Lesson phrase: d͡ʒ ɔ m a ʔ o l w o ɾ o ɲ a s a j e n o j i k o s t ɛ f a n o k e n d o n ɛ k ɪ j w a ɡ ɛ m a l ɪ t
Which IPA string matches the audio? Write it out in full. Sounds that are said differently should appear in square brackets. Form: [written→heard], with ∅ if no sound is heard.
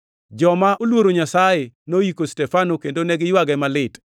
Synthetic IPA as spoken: d͡ʒ ɔ m a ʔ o l w o ɾ o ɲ a s a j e n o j i k o s t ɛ f a n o k e n d o n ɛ [k→ɡ] ɪ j w a ɡ ɛ m a l ɪ t